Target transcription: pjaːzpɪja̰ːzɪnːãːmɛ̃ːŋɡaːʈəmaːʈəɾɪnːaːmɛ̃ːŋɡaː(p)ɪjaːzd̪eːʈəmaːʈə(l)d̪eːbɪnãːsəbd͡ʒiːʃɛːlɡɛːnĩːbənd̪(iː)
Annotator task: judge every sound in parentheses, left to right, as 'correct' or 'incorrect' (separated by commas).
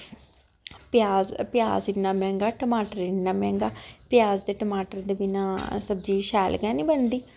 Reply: correct, incorrect, correct